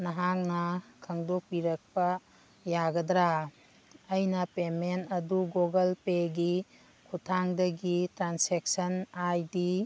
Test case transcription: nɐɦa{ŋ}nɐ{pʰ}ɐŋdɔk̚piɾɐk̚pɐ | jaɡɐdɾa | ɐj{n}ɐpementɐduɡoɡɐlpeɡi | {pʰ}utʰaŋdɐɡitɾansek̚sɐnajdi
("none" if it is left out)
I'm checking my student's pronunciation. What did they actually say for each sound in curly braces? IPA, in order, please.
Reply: ŋ, kʰ, n, kʰ

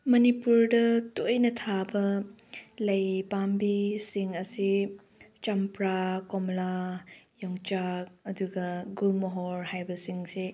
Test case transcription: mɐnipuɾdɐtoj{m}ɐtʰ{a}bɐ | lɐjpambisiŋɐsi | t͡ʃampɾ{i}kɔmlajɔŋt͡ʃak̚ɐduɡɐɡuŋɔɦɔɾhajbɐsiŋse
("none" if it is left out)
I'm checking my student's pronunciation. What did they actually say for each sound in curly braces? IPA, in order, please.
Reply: n, a, a

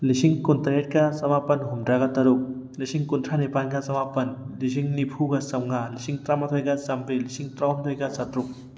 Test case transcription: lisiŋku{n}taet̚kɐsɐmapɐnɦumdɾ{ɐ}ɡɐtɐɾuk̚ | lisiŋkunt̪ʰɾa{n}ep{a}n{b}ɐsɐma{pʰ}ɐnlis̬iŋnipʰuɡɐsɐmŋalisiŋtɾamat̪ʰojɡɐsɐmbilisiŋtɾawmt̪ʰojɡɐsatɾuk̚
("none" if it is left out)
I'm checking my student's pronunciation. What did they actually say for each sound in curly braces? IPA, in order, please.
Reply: n, a, n, a, ɡ, p

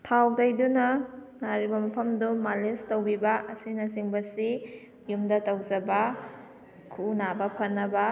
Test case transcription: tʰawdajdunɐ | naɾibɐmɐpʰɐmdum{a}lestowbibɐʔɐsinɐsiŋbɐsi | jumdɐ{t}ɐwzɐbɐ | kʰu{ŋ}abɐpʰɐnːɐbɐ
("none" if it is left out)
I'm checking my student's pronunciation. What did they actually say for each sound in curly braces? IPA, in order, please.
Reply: a, t, n

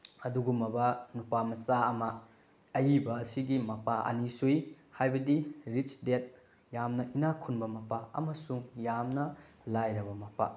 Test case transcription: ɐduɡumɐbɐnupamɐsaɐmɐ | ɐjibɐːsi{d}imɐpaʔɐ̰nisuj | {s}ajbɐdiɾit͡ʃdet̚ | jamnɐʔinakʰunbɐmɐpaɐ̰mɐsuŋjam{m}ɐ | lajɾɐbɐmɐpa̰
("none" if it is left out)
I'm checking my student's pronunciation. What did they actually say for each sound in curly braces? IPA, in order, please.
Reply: ɡ, h, n

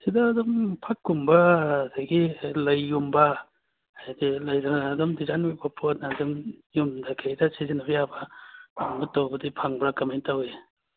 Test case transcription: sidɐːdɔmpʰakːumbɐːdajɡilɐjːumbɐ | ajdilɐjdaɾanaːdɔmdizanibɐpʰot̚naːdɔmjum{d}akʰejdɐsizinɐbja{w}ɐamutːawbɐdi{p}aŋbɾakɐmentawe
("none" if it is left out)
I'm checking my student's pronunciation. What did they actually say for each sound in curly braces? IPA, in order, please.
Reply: d, b, pʰ

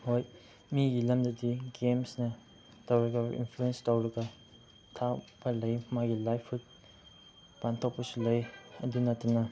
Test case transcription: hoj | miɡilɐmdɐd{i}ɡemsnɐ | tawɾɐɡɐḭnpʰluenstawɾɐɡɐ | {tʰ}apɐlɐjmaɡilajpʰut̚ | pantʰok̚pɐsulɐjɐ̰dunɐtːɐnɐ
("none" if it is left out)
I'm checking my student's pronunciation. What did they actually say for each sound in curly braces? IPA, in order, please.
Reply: i, tʰ

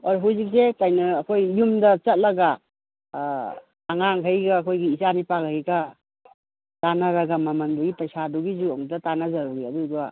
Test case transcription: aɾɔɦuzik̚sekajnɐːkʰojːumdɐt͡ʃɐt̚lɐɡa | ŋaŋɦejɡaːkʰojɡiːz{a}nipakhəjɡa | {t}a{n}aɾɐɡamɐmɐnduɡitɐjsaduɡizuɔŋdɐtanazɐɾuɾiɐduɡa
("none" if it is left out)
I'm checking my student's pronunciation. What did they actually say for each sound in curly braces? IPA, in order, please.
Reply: a, t, n

